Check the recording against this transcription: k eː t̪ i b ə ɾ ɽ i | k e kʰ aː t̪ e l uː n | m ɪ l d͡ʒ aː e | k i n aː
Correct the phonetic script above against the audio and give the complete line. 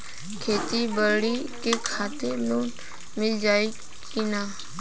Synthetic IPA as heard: kʰ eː t̪ i b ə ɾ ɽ i | k e kʰ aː t̪ e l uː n | m ɪ l d͡ʒ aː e | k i n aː